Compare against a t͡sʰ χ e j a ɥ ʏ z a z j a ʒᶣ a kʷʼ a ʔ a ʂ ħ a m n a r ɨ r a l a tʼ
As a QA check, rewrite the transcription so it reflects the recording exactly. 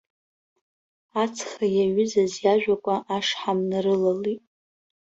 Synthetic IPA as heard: a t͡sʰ χ a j a ɥ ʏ z a z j a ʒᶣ a kʷʼ a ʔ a ʂ ħ a m n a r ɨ l a l i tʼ